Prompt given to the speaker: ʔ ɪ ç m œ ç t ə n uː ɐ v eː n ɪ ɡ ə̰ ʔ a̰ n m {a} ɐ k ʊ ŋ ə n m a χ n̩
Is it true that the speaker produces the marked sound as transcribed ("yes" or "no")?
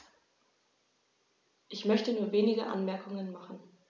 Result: no